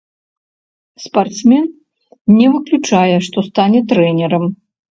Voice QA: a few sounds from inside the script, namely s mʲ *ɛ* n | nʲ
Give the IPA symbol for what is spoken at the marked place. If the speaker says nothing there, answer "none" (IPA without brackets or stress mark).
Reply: ɛ